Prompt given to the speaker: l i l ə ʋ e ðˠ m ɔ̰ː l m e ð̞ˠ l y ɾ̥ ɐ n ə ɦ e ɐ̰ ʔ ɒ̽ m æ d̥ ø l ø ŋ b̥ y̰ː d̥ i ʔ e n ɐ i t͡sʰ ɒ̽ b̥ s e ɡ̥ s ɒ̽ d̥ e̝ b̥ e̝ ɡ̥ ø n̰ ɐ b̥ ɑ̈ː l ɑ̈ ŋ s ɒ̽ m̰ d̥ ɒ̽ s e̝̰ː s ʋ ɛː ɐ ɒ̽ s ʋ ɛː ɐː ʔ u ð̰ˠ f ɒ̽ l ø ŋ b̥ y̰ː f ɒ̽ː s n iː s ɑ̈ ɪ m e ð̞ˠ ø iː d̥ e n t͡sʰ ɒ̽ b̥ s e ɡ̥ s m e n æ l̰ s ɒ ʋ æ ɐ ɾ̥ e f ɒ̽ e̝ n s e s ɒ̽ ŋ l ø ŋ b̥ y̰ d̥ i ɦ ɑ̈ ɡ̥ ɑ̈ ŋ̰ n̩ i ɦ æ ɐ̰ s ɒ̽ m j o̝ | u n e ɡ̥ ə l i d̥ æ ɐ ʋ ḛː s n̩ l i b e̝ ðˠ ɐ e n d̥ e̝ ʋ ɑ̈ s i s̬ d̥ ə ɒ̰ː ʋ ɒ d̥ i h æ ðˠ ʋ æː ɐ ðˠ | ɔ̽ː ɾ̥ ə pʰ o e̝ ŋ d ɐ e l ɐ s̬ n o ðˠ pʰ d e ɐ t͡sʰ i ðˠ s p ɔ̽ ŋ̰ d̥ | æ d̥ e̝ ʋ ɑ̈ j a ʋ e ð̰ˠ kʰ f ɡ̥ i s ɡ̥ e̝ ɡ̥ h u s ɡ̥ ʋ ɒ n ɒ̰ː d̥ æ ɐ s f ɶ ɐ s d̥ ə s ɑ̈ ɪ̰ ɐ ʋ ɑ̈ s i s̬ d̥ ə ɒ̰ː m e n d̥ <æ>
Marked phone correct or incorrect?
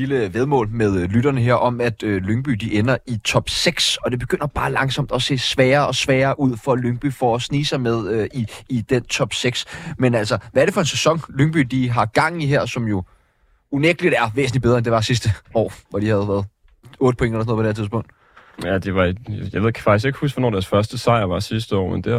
incorrect